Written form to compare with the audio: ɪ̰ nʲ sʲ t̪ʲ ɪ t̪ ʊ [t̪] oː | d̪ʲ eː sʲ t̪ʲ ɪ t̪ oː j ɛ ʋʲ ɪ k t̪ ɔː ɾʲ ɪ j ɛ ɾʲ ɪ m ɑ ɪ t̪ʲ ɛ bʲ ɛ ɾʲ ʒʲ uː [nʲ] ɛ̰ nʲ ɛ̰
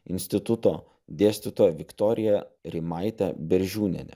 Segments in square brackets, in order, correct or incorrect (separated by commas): correct, correct